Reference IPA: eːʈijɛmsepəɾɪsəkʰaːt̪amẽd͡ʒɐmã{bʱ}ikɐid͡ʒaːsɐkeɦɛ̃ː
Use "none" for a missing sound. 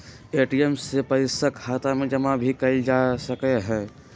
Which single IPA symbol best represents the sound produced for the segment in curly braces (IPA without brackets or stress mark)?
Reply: bʱ